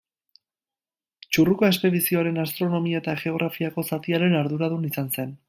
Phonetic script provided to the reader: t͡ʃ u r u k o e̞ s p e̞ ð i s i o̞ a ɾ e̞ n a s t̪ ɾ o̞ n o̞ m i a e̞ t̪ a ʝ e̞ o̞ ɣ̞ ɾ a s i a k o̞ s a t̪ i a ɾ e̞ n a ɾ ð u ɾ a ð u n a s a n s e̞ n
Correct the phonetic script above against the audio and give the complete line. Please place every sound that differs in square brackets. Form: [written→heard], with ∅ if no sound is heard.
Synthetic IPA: t͡ʃ u r u k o e̞ s p e̞ ð i s i o̞ a ɾ e̞ n a s t̪ ɾ o̞ n o̞ m i a e̞ t̪ a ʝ e̞ o̞ ɣ̞ ɾ a [s→f] i a k o̞ s a t̪ i a ɾ e̞ n a ɾ ð u ɾ a ð u n [a→i] s a n s e̞ n